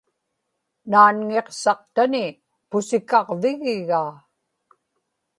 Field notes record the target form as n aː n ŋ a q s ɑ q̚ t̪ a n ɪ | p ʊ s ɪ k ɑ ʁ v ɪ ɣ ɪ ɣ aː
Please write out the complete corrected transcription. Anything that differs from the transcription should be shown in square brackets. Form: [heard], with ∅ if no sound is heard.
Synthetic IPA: n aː n ŋ [e] q s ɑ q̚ t̪ a n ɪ | p ʊ s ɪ k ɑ ʁ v ɪ ɣ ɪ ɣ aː